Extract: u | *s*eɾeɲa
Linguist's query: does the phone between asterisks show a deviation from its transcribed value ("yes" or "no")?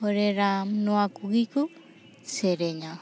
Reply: no